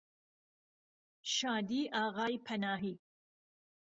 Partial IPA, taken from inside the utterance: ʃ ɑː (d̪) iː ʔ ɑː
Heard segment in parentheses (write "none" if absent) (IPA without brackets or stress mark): d̪